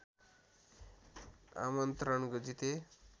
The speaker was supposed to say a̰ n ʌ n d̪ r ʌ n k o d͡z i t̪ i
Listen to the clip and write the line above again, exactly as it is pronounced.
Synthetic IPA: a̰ m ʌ n t̪ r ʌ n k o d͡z i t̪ e